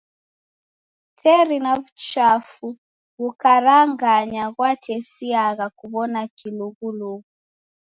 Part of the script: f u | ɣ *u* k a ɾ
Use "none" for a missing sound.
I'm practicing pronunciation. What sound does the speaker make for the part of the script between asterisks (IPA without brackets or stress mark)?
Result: u